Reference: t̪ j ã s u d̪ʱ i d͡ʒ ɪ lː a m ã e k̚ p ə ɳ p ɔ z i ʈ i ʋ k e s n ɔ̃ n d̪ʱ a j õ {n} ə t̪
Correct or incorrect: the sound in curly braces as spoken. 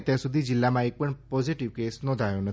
correct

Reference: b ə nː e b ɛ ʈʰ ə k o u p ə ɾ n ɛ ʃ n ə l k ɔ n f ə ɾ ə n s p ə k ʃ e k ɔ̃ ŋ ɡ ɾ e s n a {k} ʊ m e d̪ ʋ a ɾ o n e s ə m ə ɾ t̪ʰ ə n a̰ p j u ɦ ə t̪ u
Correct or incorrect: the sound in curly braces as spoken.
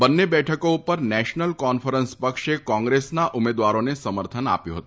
incorrect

